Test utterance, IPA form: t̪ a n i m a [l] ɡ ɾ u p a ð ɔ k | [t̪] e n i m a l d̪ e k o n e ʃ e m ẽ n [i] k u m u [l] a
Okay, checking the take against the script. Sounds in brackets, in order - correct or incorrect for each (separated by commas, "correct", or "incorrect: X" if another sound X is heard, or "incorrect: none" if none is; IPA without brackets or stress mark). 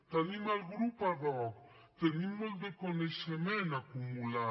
correct, correct, incorrect: a, correct